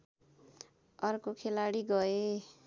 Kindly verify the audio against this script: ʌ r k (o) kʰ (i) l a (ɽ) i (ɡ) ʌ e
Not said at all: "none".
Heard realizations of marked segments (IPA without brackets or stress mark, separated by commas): o, e, ɽ, ɡ